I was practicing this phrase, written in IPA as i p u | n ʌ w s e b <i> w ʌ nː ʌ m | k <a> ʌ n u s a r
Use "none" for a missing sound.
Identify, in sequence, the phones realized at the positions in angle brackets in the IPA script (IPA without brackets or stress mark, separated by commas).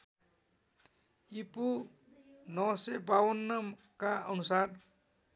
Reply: a, a